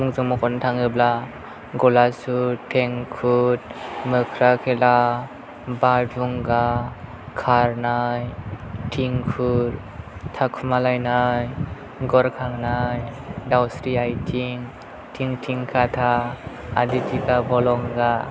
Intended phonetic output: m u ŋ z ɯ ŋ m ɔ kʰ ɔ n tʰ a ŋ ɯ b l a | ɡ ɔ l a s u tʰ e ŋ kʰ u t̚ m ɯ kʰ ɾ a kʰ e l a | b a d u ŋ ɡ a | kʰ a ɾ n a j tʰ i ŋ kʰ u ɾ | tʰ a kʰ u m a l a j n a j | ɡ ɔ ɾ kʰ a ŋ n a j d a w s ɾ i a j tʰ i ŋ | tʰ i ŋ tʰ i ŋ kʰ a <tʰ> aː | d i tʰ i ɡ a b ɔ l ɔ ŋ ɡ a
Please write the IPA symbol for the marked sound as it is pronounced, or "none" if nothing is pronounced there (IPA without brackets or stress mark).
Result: tʰ